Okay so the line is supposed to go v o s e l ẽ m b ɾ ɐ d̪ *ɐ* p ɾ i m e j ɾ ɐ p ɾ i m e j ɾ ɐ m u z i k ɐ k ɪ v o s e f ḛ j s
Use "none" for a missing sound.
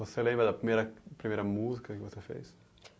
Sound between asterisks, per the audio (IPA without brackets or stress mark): ɐ